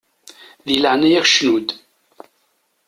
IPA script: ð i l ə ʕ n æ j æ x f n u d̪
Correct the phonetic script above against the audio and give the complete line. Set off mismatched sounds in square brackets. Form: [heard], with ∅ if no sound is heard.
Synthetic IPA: ð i l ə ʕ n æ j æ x [ʃ] n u d̪